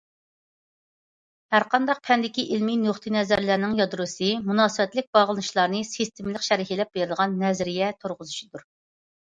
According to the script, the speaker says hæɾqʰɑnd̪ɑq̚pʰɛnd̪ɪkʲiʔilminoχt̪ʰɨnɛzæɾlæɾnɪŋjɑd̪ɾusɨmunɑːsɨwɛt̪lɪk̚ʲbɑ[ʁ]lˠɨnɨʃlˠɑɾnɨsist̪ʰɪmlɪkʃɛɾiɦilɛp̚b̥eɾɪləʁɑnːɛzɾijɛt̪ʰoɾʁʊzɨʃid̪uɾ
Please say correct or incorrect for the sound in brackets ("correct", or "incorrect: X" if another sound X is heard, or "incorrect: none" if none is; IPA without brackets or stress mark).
correct